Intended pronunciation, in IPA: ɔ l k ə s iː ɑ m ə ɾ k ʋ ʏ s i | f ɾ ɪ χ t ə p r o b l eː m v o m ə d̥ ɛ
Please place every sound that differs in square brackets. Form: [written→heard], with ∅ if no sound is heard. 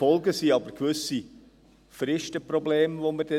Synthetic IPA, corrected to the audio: ɔ l [k→ɡ] ə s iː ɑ [m→b] ə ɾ k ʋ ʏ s i | f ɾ ɪ [χ→ʃ] t ə p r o b l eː m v o m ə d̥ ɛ